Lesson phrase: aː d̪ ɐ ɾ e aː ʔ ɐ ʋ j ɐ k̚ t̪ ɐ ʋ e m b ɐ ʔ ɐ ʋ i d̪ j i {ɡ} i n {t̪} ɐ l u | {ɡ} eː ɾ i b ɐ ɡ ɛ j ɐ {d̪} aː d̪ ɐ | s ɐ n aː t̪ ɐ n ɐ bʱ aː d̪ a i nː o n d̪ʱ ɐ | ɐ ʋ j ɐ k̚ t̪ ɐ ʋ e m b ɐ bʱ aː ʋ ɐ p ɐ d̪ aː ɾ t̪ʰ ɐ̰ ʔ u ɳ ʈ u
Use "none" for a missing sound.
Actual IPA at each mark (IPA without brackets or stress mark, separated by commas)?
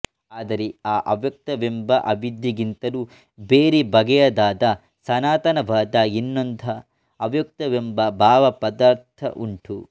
ɡ, t̪, b, d̪